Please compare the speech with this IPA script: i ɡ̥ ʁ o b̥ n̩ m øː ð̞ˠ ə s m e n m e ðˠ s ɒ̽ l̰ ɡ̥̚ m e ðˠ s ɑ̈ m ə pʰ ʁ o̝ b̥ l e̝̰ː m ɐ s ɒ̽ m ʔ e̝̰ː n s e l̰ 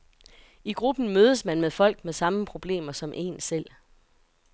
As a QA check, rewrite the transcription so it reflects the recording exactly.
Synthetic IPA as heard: i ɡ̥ ʁ u b̥ n̩ m øː ð̞ˠ ə s m æ n m e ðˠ f ɒ̽ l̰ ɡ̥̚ m e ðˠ s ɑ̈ m ə pʰ ʁ o̝ b̥ l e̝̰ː m ɐ s ɒ̽ m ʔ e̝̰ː n s e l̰